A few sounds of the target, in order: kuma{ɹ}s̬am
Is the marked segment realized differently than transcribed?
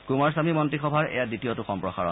no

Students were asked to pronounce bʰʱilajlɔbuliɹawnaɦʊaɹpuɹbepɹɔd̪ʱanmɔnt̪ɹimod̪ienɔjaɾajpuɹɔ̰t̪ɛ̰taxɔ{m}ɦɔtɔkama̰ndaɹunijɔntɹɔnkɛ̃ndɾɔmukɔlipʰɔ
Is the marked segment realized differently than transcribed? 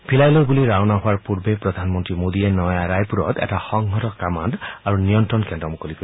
yes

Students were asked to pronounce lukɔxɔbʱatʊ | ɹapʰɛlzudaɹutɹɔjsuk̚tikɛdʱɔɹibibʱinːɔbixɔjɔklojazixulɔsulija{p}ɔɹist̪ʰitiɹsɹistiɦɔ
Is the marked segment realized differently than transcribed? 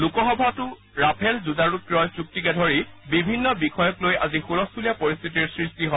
no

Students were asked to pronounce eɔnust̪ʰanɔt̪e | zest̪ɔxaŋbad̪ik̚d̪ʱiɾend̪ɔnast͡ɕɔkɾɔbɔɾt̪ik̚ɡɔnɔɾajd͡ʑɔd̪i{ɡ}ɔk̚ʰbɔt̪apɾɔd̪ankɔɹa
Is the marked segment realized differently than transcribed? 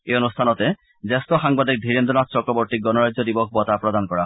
yes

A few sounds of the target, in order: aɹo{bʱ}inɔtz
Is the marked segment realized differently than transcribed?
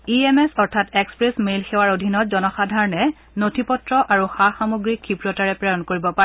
yes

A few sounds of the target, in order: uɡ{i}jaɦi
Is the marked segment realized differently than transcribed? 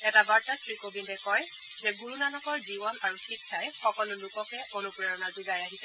yes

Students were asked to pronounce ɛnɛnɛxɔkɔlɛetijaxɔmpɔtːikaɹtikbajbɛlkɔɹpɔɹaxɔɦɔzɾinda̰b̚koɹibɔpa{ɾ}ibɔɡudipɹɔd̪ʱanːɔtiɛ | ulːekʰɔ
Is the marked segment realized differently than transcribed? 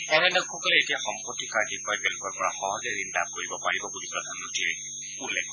yes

